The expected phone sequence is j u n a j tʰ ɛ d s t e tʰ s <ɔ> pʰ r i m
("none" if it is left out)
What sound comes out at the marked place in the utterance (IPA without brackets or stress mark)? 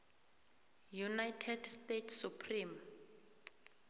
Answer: u